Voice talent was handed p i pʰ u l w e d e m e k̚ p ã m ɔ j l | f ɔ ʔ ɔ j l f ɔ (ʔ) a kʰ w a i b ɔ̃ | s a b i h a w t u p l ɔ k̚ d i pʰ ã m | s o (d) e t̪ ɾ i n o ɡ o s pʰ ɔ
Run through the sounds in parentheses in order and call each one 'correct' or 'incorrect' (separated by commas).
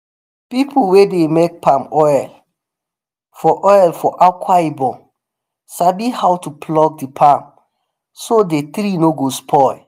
correct, correct